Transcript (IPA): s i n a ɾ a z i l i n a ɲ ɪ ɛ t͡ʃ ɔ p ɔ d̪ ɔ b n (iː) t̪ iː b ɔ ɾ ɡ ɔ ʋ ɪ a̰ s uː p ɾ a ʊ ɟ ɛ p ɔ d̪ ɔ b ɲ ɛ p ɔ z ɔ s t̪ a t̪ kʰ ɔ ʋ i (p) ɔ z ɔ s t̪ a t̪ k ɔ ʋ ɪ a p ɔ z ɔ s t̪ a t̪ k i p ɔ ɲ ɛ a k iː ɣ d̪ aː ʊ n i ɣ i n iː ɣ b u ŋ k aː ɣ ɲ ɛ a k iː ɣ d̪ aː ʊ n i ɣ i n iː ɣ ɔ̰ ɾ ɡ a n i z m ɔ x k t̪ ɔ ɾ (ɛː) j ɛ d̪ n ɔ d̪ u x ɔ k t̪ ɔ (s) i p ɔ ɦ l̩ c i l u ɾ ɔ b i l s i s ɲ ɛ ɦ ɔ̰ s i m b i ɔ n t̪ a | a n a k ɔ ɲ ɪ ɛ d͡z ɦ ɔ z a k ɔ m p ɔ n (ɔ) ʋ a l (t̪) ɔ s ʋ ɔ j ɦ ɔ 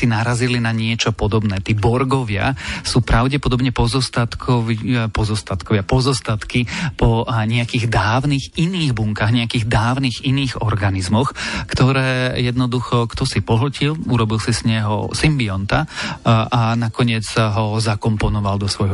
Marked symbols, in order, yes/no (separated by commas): no, yes, yes, yes, yes, no